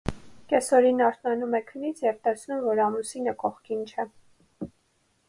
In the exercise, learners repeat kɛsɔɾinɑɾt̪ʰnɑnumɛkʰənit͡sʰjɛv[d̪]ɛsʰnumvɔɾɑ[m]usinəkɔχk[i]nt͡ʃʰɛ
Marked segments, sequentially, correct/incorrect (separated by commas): incorrect, correct, correct